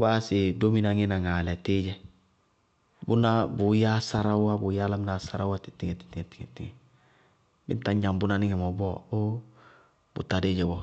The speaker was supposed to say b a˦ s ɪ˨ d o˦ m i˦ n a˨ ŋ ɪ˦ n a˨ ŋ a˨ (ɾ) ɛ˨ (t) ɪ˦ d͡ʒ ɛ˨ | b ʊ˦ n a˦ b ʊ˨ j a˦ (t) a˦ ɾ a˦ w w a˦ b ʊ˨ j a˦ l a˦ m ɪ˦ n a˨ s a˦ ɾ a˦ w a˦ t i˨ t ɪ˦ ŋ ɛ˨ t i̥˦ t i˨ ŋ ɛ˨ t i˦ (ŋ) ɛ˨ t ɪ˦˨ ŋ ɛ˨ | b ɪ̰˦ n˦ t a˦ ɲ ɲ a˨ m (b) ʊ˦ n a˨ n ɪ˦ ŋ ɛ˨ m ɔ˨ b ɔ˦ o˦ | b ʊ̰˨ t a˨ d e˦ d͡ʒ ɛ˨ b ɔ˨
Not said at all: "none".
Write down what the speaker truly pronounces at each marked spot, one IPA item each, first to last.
l, t, s, ŋ, b

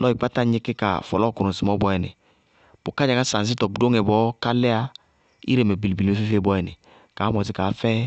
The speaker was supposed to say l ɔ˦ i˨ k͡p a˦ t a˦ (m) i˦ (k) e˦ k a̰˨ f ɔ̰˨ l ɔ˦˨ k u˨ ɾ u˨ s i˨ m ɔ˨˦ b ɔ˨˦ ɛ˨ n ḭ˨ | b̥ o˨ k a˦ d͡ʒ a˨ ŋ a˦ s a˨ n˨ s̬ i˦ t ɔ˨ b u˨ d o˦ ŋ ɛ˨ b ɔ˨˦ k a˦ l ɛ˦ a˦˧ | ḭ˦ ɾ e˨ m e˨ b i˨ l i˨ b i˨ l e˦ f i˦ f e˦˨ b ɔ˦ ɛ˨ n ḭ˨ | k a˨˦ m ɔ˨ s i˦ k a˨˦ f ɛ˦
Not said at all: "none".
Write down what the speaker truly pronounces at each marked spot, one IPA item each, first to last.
ɲ, k

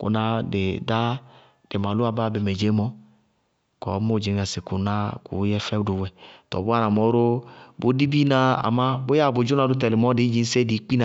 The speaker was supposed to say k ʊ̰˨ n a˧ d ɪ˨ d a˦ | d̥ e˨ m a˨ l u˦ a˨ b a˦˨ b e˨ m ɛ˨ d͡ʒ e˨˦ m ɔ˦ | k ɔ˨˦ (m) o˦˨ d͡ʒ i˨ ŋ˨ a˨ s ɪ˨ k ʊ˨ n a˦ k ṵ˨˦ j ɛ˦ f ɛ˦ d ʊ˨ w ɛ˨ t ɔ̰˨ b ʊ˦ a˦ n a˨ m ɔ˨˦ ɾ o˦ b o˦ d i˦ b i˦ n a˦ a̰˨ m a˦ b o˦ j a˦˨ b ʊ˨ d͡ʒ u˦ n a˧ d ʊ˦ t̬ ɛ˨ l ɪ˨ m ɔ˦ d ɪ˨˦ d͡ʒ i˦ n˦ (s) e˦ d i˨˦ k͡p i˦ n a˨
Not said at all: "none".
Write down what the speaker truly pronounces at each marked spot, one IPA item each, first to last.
m, s

